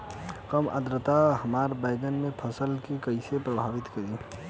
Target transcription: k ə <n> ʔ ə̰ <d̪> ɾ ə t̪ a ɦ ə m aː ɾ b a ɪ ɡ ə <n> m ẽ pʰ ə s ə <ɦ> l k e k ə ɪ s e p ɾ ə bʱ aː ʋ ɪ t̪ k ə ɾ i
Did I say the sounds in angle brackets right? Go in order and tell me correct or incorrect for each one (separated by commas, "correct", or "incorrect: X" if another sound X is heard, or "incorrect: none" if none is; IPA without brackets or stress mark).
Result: incorrect: m, correct, correct, incorrect: none